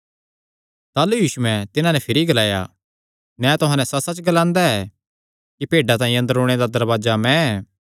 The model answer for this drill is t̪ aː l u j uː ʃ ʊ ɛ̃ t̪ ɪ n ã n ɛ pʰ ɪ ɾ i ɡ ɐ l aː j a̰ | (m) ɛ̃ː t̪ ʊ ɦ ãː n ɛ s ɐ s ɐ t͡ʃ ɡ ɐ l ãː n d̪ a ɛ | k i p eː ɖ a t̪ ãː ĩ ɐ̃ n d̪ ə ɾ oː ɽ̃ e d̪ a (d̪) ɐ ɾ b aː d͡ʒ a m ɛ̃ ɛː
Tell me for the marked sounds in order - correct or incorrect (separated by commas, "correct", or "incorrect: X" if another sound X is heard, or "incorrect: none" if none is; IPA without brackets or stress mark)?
incorrect: n, correct